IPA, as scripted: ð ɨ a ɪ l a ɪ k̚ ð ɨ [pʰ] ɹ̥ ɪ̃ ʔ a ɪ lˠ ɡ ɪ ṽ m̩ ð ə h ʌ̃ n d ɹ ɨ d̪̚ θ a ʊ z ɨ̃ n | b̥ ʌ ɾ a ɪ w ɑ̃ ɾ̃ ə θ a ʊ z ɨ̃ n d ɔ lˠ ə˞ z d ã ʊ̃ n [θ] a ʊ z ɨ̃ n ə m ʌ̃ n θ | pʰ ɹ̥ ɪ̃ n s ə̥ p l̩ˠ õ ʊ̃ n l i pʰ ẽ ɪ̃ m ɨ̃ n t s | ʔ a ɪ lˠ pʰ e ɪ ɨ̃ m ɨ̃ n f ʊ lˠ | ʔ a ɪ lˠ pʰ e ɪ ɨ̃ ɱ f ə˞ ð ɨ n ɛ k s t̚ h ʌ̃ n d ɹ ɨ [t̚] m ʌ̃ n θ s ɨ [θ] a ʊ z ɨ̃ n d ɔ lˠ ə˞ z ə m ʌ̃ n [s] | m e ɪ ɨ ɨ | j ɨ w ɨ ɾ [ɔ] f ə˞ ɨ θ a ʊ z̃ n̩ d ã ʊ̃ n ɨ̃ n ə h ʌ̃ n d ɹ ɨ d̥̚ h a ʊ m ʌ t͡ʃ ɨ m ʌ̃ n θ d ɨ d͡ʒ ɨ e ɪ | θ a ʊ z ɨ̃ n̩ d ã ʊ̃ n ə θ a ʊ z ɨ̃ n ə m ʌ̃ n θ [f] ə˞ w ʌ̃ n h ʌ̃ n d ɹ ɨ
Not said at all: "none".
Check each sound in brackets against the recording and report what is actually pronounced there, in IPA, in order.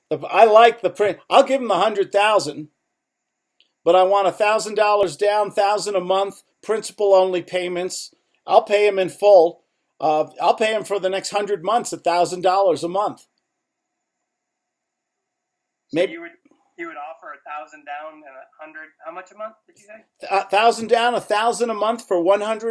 pʰ, θ, d̚, θ, θ, ɔ, f

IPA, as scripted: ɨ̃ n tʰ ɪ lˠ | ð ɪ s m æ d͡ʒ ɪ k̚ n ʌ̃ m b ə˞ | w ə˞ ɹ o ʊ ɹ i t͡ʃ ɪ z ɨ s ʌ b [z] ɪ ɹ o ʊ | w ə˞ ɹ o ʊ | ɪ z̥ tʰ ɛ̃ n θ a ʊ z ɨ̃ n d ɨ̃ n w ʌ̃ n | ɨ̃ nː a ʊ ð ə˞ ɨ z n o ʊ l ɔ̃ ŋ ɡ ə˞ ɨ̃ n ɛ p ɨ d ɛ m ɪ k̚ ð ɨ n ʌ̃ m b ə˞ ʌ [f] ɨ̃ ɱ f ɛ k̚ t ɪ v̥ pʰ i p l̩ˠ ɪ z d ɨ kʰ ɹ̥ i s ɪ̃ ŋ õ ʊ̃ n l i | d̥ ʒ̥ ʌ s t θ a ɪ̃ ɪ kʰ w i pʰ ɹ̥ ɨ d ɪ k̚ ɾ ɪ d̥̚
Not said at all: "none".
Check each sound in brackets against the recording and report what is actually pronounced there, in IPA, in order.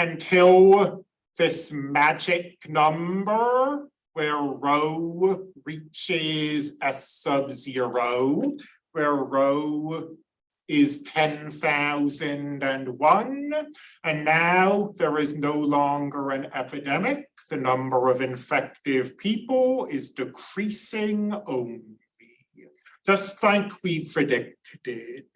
z, v

